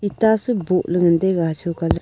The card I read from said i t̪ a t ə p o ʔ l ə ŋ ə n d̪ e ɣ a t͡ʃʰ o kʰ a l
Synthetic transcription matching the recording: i t̪ a s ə b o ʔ l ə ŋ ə n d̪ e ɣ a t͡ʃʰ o k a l